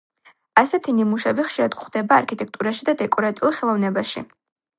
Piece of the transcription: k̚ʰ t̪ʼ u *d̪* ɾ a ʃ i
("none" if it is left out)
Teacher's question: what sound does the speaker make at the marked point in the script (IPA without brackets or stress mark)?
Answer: none